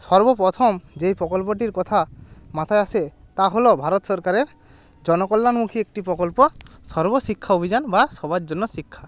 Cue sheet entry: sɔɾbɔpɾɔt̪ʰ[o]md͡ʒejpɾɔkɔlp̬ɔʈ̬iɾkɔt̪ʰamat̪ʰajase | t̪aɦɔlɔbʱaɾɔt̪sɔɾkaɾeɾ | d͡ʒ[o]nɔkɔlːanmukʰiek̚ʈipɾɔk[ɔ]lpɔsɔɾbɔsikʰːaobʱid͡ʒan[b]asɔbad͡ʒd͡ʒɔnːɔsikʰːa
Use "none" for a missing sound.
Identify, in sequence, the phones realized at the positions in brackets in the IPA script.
ɔ, ɔ, ɔ, b

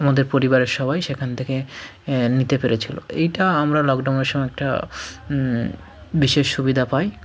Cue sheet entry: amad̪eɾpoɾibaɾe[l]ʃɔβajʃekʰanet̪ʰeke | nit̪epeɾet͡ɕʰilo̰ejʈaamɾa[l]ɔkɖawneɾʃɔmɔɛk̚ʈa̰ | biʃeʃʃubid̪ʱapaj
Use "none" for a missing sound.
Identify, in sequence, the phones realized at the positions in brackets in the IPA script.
ɾ, l

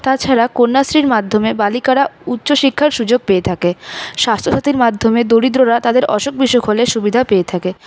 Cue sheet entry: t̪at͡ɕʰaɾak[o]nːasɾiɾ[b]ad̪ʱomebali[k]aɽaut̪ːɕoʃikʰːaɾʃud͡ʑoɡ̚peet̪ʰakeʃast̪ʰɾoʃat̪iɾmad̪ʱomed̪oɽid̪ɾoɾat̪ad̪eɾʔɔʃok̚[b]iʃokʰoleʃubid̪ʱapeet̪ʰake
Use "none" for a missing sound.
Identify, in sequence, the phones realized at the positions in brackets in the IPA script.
o, m, k, b

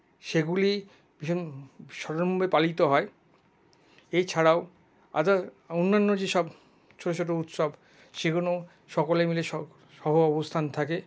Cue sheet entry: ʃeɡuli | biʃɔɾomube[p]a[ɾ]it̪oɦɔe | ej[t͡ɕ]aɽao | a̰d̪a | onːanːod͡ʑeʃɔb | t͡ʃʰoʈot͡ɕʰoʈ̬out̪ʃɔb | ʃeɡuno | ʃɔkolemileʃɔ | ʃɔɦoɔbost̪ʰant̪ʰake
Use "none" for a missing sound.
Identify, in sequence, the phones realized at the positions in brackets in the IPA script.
p, l, t͡ɕʰ

